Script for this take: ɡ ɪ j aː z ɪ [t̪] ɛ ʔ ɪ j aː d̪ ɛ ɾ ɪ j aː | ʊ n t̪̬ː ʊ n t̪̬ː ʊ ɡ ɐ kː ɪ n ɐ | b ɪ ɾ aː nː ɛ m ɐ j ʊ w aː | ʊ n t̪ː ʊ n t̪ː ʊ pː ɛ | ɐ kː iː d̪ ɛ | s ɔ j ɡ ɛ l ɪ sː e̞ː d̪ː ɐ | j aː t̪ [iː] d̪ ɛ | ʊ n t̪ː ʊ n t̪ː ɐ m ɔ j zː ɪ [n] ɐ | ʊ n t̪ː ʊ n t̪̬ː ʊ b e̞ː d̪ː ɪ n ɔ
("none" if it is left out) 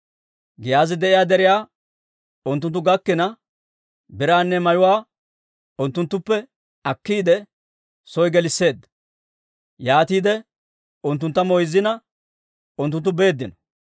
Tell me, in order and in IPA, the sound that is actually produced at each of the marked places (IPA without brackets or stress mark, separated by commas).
d̪, iː, n